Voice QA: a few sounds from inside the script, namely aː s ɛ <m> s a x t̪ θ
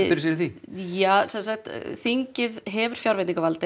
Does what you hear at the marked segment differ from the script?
yes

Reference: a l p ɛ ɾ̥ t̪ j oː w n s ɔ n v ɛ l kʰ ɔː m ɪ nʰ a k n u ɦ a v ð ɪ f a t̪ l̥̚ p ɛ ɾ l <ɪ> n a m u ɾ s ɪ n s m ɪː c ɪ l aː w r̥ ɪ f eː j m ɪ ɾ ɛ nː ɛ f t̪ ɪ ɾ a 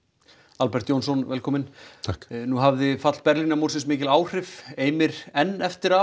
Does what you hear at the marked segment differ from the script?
yes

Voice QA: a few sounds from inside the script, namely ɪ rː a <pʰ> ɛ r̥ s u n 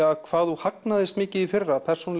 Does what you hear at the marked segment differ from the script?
no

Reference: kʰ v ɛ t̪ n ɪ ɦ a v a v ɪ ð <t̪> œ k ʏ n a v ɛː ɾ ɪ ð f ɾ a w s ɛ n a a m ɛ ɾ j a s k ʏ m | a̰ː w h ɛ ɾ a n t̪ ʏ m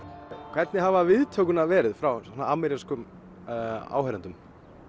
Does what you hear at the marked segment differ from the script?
yes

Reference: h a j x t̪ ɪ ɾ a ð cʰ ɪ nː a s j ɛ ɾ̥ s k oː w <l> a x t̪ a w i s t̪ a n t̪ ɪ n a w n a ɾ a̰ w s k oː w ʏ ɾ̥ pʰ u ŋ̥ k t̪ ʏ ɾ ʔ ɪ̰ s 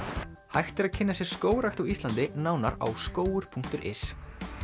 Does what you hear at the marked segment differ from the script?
yes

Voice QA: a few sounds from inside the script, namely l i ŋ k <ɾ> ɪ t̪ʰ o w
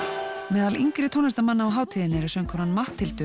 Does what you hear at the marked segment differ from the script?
no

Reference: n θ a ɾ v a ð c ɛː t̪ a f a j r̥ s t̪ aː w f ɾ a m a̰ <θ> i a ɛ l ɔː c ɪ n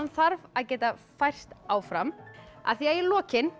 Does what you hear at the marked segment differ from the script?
no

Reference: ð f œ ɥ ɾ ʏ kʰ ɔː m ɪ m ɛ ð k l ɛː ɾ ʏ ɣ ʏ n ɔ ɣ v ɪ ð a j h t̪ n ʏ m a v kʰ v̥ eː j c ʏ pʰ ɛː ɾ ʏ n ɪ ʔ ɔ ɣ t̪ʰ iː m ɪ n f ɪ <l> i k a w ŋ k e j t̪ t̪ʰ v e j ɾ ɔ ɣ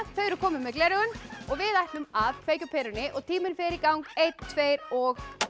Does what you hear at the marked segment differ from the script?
yes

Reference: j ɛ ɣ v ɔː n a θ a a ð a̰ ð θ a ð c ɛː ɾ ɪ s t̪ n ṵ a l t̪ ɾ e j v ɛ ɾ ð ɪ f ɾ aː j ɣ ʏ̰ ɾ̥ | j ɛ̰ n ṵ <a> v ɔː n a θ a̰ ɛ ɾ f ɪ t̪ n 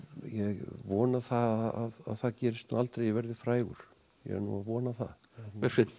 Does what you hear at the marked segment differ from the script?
no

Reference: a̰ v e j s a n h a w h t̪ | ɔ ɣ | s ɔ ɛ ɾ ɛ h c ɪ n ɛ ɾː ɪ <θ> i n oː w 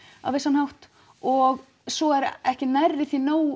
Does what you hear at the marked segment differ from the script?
no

